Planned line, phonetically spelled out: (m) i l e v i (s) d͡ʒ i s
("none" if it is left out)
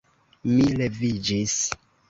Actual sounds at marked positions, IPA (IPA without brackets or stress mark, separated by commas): m, none